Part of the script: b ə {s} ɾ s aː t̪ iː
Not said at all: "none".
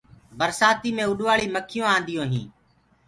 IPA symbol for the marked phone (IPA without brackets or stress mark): none